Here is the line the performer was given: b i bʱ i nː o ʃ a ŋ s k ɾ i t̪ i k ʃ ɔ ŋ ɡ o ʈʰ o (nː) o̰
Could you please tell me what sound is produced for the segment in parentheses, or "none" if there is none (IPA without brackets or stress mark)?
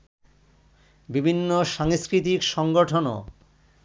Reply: n